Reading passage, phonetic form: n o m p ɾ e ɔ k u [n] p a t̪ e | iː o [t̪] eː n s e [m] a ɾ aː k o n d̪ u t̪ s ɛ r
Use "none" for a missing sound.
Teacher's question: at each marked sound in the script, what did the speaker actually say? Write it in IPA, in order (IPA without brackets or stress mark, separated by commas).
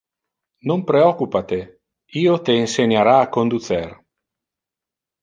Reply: none, t̪, ɲ